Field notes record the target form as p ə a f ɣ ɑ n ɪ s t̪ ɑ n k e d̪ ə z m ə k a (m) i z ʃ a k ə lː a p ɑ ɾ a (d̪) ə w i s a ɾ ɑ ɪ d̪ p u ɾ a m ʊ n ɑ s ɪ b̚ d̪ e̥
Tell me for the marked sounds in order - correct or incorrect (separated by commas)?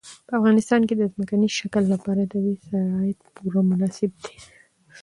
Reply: incorrect, correct